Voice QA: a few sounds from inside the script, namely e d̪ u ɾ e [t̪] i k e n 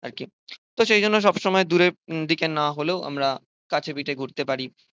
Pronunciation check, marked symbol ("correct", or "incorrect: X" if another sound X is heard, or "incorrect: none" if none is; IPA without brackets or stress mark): incorrect: d̪